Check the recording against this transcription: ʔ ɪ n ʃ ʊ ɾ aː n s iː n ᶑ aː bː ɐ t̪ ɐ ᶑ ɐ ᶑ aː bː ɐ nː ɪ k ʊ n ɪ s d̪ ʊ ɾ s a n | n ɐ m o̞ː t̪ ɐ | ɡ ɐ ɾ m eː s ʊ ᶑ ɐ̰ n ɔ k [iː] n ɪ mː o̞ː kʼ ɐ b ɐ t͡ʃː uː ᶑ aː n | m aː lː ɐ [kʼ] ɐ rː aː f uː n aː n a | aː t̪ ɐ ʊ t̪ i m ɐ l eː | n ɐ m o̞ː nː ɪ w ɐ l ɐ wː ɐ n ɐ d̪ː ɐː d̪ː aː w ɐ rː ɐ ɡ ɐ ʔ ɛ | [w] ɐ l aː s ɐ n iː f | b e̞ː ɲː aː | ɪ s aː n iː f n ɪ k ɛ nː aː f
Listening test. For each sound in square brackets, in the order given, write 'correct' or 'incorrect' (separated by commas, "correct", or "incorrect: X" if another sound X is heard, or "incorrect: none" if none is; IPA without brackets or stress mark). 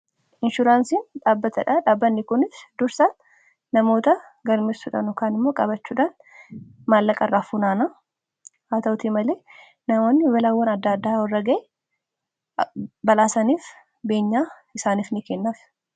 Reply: incorrect: aː, correct, incorrect: b